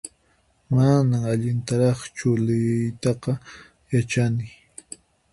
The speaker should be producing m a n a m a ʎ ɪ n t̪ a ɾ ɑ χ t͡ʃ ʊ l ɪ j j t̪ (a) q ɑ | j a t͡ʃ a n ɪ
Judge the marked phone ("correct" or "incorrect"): incorrect